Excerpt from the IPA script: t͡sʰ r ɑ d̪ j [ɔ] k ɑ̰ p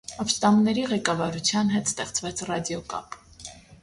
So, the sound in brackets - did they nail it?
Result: yes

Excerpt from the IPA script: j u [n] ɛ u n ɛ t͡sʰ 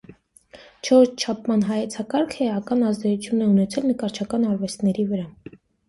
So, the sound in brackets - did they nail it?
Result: yes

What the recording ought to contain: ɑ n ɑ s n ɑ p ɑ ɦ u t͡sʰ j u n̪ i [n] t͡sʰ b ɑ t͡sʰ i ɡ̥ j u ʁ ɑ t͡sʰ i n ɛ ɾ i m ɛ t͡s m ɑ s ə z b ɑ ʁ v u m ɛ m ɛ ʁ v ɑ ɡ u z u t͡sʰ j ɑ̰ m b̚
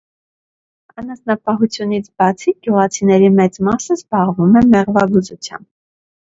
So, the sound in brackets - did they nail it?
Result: no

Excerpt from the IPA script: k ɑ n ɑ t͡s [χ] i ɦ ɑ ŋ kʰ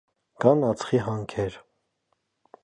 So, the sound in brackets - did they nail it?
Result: yes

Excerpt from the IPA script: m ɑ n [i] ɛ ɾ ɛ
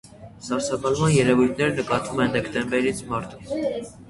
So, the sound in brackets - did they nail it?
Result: no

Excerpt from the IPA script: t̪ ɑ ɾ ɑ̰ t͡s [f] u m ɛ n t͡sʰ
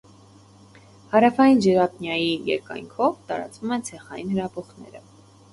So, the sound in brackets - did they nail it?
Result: no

